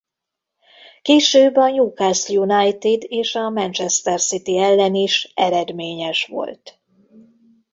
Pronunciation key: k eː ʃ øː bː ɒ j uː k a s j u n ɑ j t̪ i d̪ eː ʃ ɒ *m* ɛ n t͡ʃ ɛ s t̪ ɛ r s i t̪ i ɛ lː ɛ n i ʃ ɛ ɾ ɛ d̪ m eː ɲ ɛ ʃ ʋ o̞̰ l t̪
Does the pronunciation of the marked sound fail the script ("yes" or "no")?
no